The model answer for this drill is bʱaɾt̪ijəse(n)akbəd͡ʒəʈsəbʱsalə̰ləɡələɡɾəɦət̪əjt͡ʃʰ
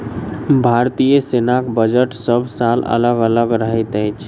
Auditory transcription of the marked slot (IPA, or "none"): n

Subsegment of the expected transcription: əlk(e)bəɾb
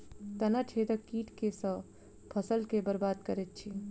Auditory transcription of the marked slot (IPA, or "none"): e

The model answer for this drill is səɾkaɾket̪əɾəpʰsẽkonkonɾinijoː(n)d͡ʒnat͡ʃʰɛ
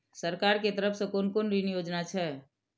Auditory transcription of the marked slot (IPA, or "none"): none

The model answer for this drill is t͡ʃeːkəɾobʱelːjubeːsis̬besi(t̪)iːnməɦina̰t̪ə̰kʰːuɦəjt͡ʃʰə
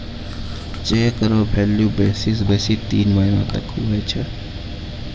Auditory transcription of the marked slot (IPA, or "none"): t̪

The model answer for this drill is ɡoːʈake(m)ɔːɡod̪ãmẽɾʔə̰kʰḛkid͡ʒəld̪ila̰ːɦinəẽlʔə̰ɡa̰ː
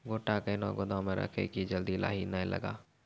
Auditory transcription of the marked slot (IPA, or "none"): n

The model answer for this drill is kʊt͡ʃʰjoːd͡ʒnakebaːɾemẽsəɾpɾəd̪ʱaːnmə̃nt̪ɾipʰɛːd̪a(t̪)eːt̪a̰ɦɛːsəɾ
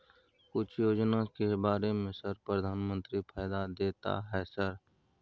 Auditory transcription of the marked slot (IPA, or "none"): d̪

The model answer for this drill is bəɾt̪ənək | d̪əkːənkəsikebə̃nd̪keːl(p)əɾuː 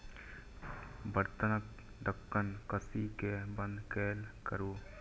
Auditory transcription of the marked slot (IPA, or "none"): k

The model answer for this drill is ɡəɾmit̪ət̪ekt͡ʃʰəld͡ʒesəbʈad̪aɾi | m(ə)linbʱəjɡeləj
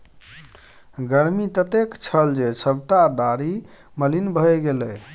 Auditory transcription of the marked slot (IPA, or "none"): ə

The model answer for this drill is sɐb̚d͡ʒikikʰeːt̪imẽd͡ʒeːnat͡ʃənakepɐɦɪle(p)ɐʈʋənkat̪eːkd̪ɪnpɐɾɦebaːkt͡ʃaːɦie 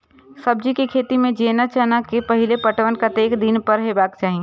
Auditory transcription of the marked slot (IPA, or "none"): p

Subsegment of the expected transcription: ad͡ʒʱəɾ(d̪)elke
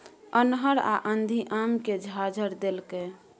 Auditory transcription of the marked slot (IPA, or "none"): d̪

